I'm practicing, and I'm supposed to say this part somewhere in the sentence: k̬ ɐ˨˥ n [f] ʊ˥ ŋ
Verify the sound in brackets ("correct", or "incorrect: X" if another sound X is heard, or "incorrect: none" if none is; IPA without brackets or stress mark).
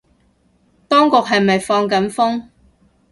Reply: correct